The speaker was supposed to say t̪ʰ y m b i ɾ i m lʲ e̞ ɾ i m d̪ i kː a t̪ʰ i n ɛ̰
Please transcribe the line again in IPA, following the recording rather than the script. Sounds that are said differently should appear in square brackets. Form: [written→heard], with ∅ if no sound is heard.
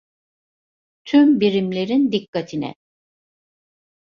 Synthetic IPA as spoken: t̪ʰ y m b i ɾ i m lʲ e̞ ɾ i [m→n] d̪ i kː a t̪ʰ i n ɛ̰